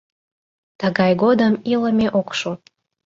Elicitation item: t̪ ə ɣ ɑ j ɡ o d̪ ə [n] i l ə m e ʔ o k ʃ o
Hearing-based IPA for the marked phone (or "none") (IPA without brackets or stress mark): m